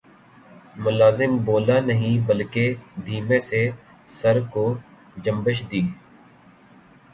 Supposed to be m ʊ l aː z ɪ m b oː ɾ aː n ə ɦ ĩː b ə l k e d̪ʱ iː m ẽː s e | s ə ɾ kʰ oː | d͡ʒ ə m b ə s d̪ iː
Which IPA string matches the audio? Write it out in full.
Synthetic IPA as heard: m ʊ l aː z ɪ m b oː l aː n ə ɦ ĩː b ə l k e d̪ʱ iː m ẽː s e | s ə ɾ k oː | d͡ʒ ə m b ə ʃ d̪ iː